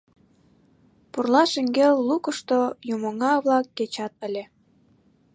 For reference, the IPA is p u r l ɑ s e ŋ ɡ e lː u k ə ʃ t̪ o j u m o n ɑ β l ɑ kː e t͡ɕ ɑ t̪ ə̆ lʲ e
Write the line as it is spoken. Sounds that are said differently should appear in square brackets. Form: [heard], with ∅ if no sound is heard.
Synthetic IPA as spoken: p u r l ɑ [ʃ] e ŋ ɡ e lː u k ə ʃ t̪ o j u m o [ŋ] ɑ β l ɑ kː e t͡ɕ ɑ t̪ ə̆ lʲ e